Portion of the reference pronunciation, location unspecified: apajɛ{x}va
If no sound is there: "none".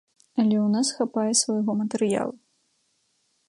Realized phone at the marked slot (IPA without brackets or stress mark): s